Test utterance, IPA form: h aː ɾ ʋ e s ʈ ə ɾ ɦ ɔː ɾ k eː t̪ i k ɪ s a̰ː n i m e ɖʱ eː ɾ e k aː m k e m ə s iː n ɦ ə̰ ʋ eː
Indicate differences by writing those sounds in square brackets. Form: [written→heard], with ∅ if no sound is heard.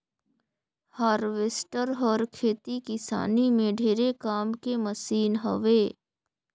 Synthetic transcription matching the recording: h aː ɾ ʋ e s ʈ ə ɾ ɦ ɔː ɾ [k→kʰ] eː t̪ i k ɪ s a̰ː n i m [e→ẽ] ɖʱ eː ɾ e k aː m k e m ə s iː n ɦ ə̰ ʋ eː